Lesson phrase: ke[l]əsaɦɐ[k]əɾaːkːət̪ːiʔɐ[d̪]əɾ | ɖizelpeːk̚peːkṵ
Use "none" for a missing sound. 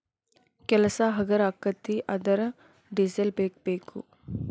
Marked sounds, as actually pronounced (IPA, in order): l, ɡ, d̪

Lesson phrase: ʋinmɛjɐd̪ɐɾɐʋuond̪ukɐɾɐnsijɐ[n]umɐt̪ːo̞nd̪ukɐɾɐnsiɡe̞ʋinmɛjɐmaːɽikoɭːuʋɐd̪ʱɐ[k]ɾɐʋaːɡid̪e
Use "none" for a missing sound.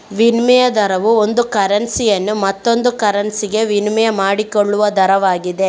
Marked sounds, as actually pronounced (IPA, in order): nː, none

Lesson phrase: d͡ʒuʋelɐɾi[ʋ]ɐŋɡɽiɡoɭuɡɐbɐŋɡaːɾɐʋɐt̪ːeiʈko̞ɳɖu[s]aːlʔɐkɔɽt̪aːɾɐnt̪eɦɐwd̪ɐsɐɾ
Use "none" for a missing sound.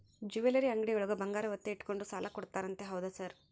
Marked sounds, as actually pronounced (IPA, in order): none, s

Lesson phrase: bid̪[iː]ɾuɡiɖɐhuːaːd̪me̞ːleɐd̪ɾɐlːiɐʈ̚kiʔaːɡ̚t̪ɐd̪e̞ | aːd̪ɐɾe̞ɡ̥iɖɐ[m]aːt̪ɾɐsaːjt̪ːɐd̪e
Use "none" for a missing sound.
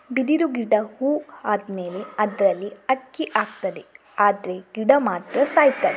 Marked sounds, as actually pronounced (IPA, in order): i, m

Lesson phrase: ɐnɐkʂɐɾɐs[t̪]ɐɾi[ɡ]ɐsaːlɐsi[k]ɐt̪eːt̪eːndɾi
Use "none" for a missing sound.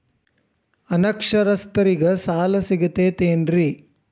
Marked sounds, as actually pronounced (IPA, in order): t̪, ɡ, ɡ

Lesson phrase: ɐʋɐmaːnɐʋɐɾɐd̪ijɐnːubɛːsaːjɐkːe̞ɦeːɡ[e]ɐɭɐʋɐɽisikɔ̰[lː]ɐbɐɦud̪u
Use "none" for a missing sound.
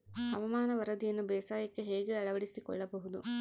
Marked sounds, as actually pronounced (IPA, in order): e, ɭː

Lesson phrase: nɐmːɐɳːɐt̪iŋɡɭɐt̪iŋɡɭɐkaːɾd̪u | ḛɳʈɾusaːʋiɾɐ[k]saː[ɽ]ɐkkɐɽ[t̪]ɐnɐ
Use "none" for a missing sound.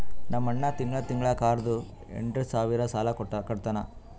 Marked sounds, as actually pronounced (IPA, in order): none, l, t̪

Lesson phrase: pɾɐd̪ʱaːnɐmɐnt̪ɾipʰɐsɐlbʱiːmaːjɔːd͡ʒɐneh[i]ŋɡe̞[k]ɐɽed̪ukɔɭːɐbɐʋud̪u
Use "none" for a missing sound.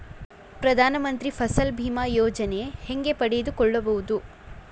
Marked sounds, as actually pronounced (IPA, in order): e, p

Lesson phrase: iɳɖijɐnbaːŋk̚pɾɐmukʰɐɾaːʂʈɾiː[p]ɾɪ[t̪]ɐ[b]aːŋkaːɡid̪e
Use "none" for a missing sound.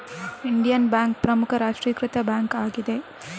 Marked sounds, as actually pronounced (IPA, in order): k, t̪, b

